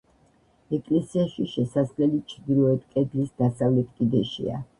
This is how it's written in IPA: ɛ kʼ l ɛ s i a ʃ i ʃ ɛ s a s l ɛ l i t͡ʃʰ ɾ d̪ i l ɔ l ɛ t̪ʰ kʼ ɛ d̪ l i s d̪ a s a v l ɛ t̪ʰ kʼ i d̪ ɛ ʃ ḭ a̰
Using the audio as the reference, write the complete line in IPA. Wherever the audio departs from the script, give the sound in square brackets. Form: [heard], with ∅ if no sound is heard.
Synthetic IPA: ɛ kʼ l ɛ s i a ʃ i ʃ ɛ s a s l ɛ l i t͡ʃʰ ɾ d̪ i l ɔ [∅] ɛ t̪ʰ kʼ ɛ d̪ l i s d̪ a s a v l ɛ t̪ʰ kʼ i d̪ ɛ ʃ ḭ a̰

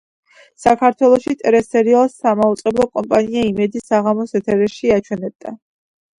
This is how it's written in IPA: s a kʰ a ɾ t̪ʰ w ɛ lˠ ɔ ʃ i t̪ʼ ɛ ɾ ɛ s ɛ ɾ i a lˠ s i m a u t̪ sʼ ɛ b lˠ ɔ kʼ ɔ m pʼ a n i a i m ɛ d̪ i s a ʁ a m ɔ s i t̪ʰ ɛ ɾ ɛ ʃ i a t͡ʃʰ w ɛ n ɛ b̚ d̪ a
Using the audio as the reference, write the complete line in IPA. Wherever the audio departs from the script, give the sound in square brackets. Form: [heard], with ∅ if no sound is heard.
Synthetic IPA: s a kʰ a ɾ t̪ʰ w ɛ lˠ ɔ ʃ i t̪ʼ ɛ ɾ ɛ s ɛ ɾ i a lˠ s [a] m a u t̪ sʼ ɛ b lˠ ɔ kʼ ɔ m pʼ a n i a i m ɛ d̪ i s a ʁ a m ɔ s [ɛ] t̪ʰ ɛ ɾ ɛ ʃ i a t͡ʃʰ w ɛ n ɛ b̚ d̪ a

